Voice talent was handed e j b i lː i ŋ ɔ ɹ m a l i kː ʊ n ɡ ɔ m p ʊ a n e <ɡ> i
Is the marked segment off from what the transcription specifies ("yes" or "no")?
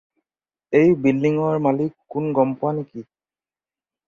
yes